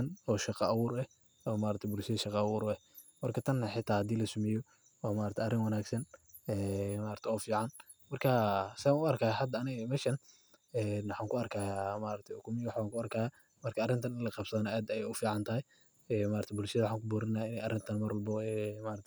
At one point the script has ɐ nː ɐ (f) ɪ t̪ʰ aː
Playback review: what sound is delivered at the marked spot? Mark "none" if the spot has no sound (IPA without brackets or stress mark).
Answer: ħ